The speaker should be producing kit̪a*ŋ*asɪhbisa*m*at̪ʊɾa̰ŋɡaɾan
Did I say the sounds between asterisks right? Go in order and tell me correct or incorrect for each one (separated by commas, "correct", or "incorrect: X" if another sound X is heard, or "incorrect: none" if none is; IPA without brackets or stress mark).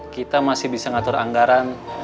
incorrect: m, incorrect: ŋ